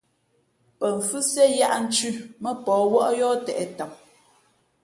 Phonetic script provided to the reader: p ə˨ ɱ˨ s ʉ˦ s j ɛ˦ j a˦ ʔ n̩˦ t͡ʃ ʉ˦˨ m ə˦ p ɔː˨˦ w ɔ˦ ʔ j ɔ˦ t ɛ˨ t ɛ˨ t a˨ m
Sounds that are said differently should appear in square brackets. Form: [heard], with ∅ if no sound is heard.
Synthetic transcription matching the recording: p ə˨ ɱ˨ [f] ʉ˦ s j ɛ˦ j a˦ ʔ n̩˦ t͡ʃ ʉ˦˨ m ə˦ p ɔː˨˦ w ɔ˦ ʔ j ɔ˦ t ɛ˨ [ʔ] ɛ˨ t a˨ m